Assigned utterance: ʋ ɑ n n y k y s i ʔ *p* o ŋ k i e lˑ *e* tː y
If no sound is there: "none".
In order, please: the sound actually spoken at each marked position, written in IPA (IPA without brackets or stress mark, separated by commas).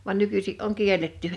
ʔ, e